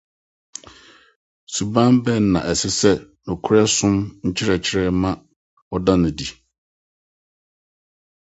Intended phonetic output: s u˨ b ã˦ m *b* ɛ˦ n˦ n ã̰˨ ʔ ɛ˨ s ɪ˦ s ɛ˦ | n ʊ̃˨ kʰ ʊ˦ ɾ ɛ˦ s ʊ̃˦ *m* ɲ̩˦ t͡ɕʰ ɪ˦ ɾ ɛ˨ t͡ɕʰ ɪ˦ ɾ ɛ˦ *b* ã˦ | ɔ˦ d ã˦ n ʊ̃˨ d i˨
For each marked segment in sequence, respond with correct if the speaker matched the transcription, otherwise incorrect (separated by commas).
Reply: correct, correct, incorrect